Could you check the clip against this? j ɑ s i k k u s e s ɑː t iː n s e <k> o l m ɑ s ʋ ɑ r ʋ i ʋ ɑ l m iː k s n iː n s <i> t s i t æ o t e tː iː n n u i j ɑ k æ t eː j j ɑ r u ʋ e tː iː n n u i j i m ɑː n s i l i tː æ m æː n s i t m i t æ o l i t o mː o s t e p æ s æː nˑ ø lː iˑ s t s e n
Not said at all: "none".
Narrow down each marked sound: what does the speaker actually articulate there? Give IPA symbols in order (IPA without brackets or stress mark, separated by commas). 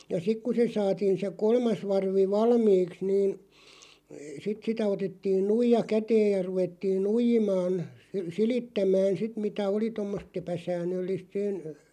k, i